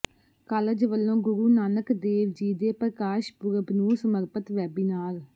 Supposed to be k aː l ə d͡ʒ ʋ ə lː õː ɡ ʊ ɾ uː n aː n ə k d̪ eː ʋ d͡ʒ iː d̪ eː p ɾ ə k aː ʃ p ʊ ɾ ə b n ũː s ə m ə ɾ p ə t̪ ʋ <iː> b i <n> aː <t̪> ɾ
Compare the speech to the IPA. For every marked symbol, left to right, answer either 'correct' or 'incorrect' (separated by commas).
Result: incorrect, correct, incorrect